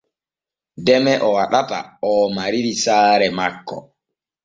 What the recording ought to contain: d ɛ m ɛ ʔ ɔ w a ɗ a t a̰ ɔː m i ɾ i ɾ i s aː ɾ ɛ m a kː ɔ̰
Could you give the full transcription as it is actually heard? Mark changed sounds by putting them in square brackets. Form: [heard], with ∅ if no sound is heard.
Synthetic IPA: d ɛ m ɛ ʔ ɔ w a ɗ a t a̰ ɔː m [a] ɾ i ɾ i s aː ɾ ɛ m a kː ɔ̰